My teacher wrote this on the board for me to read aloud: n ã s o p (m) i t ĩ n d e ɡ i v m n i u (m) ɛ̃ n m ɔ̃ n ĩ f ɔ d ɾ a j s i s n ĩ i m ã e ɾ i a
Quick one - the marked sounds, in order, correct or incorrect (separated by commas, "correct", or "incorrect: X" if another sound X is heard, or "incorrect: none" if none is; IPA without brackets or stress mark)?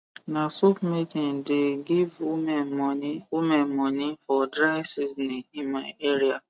correct, correct